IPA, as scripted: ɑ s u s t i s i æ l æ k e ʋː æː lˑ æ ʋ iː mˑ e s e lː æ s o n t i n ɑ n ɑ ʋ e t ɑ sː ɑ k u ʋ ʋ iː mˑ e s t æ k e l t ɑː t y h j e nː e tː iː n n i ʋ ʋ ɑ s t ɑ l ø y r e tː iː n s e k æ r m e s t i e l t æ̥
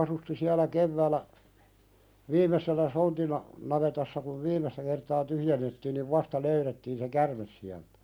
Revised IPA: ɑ s u s t i s i æ l æ k e ʋː æː lˑ æ ʋ iː mˑ e s e lː æ s o n t i n ɑ n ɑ ʋ e t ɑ sː ɑ k u ʋ ʋ iː mˑ e s t æ k e r t ɑː t y h j e nː e tː iː n n i ʋ ʋ ɑ s t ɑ l ø y r e tː iː n s e k æ r m e s s i æ l t æ̥